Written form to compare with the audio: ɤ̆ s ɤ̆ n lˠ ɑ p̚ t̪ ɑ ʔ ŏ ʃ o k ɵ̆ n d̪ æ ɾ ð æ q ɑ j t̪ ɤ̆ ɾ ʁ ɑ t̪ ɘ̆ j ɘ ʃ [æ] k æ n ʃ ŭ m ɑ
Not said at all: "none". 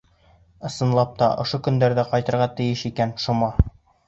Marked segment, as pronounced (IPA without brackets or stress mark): i